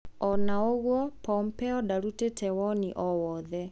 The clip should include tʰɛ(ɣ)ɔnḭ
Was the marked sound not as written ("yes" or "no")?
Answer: yes